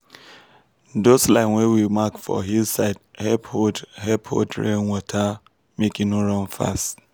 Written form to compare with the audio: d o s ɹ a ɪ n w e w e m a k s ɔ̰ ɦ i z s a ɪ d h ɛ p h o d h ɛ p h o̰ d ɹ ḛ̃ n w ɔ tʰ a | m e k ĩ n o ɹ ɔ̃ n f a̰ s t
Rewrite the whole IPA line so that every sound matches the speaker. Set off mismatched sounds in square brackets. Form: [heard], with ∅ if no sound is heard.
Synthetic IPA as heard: d o s [l] a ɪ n w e w [i] m a k [f] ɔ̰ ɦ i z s a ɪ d h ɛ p h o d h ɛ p h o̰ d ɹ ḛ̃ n w ɔ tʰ a | m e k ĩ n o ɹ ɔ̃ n f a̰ s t